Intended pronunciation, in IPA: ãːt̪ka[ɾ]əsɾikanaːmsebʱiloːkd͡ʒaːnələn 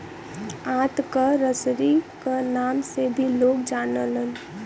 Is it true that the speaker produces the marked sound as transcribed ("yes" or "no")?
yes